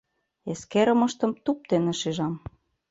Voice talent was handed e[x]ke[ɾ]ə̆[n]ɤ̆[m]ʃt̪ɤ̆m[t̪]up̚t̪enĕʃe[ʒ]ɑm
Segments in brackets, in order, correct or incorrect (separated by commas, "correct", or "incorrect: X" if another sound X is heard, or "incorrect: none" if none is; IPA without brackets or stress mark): incorrect: s, correct, incorrect: m, incorrect: none, correct, correct